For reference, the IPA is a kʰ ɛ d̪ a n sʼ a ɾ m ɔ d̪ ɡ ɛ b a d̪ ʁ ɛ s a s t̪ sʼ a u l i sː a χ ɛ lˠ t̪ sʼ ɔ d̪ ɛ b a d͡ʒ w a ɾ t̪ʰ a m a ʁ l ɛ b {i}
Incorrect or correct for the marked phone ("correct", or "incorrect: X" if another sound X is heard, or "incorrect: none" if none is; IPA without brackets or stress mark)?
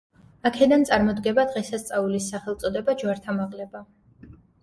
incorrect: a